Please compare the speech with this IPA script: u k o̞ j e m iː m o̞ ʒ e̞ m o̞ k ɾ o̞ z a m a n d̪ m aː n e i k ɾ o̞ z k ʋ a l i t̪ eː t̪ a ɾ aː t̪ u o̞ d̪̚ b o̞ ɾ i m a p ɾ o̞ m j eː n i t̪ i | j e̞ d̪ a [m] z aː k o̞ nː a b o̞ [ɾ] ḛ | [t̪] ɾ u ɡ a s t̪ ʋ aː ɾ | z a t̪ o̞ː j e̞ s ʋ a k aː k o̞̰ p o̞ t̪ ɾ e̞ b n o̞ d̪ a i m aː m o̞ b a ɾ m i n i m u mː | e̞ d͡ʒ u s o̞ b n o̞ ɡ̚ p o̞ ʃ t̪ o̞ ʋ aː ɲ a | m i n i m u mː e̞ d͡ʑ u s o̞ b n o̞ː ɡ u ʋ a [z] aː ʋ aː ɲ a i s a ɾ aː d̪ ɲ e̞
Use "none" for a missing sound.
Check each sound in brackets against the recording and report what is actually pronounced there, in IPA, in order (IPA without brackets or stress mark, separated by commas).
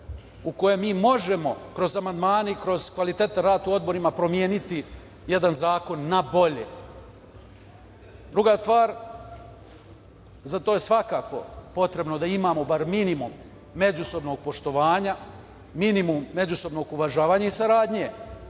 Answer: n, ʎ, d̪, ʒ